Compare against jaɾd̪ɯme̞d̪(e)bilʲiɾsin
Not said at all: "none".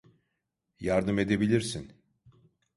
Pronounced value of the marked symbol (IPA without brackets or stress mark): e